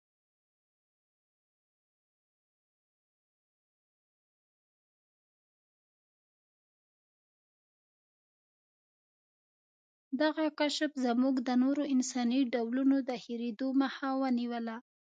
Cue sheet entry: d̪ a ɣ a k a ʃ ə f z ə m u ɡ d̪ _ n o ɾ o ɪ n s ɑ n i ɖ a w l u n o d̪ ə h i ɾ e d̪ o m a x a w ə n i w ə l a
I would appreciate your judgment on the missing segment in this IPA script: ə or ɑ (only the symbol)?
ə